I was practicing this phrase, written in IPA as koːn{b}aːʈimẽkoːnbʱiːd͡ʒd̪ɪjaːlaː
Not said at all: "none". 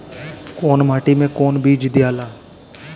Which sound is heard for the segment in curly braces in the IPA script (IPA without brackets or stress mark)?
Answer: m